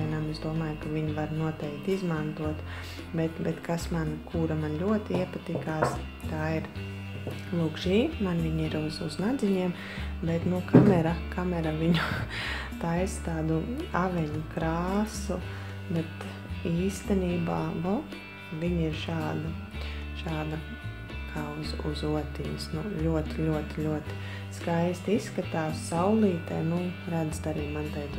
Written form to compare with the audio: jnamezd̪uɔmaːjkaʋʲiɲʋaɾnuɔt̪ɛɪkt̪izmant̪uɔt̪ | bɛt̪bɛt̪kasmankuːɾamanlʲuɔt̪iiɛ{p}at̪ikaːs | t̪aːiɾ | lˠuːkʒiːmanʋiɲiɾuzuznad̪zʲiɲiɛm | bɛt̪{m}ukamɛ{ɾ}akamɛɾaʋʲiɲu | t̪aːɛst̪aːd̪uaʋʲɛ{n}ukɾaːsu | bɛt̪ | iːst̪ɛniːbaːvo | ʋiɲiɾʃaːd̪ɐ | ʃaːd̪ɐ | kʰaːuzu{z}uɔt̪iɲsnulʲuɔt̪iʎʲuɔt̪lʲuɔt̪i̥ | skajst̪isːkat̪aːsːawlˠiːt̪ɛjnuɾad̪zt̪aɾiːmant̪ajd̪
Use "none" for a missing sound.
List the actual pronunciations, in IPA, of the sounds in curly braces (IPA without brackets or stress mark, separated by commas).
p, n, ɾ, ɲ, z